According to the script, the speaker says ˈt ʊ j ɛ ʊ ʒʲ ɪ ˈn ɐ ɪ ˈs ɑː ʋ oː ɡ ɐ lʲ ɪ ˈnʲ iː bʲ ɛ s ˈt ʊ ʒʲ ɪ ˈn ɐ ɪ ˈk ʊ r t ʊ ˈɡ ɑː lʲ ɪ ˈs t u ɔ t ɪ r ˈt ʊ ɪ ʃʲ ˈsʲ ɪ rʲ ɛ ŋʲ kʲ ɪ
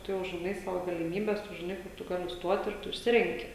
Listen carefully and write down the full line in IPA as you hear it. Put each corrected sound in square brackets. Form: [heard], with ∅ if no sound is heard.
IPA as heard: ˈt ʊ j ɛ ʊ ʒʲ ɪ ˈn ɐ ɪ ˈs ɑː ʋ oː ɡ ɐ lʲ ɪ [ˈmʲ] iː bʲ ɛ s ˈt ʊ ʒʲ ɪ ˈn ɐ ɪ ˈk ʊ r t ʊ ˈɡ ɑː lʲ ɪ ˈs t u ɔ t ɪ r ˈt ʊ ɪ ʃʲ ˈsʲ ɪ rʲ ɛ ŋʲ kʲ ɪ